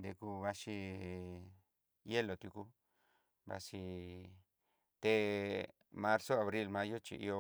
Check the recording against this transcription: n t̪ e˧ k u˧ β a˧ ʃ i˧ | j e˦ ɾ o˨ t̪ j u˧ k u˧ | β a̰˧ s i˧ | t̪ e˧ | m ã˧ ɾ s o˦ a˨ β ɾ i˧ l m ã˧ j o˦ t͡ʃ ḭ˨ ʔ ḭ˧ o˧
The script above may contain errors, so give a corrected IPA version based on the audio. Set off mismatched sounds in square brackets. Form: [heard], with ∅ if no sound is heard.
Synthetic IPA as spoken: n [d̪] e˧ k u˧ β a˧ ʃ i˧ | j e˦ [l] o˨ t̪ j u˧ k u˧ | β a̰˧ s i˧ | t̪ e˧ | m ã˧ ɾ s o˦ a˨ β ɾ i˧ l m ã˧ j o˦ t͡ʃ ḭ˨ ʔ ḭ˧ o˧